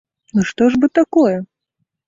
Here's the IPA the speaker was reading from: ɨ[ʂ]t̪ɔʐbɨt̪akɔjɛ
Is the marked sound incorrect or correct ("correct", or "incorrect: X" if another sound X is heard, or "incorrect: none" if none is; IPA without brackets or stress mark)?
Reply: correct